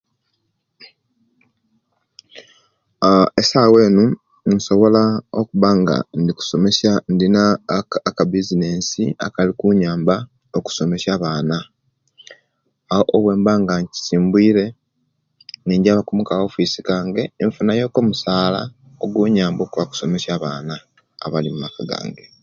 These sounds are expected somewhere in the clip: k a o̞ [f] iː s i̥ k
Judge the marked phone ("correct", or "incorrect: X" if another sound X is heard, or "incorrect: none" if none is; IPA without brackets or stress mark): correct